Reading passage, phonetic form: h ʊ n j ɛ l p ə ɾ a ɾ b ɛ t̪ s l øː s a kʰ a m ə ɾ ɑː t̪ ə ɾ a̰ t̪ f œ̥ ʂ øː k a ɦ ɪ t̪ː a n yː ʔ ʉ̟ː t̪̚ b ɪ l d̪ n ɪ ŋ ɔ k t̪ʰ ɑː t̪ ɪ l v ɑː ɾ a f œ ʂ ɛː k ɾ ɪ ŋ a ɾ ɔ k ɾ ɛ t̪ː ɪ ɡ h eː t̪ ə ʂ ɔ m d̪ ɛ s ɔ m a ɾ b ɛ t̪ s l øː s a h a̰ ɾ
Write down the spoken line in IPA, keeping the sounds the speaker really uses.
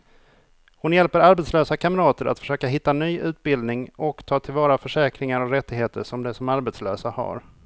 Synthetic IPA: h ʊ n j ɛ l p ə ɾ a ɾ b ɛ t̪ s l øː s a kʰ a m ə ɾ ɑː t̪ ə ɾ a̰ t̪ f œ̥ ʂ øː k a ɦ ɪ t̪ː a n yː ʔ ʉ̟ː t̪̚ b ɪ l d̪ n ɪ ŋ ɔ k t̪ʰ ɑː t̪ʰ ɪ l v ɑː ɾ a f œ ʂ ɛː k ɾ ɪ ŋ a ɾ ɔ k ɾ ɛ t̪ː ɪ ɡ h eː t̪ ə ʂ ɔ m d̪ ɛ s ɔ m a ɾ b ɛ t̪ s l øː s a h a̰ ɾ